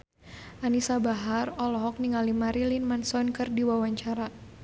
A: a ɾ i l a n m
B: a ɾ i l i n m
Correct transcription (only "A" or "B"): B